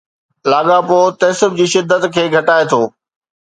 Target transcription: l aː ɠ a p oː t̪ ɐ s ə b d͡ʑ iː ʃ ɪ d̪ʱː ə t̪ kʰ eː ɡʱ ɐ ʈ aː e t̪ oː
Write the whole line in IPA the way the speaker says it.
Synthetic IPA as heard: l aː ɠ a p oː t̪ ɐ s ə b d͡ʑ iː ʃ ɪ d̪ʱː ə t̪ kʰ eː ɡʱ ɐ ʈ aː e t̪ʰ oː